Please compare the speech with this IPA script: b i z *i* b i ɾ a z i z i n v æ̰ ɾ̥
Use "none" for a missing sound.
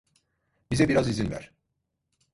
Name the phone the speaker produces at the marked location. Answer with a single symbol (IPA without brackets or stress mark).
ɛ